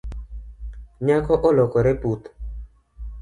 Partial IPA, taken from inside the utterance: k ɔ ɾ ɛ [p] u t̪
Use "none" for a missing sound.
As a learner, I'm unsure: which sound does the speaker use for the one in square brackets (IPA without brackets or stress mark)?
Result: p